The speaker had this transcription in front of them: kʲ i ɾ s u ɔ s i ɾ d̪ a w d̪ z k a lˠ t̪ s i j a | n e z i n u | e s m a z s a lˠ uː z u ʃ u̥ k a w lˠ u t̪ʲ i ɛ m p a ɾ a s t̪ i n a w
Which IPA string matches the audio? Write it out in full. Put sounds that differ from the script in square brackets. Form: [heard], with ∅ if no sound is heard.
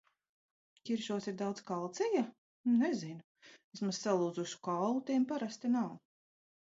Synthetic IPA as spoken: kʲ i ɾ [ʃ] u ɔ s i ɾ d̪ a w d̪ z k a lˠ t̪ s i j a | n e z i n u | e s m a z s a lˠ uː z u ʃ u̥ k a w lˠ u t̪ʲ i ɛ m p a ɾ a s t̪ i n a w

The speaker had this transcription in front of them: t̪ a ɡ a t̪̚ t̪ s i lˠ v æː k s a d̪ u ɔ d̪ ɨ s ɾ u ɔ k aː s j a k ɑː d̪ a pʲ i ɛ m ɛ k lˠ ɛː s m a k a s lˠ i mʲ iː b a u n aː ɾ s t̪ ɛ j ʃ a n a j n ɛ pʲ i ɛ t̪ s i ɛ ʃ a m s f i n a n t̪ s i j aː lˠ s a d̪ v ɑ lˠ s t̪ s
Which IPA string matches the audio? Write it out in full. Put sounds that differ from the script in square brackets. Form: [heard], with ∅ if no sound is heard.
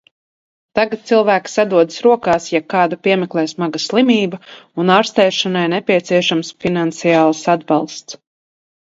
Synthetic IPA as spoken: t̪ a ɡ a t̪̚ t̪ s i lˠ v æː k s a d̪ u ɔ d̪ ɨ s ɾ u ɔ k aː s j a k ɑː d̪ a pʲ i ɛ m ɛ k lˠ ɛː s m a [ɡ] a s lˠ i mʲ iː b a u n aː ɾ s t̪ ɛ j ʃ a n a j n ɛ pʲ i ɛ t̪ s i ɛ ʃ a m s f i n a n t̪ s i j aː lˠ s a d̪ [b] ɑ lˠ s t̪ s

